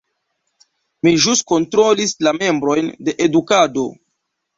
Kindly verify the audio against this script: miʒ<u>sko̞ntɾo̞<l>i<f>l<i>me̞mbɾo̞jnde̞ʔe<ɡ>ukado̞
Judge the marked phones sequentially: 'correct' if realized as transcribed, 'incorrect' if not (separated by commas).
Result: correct, correct, incorrect, incorrect, incorrect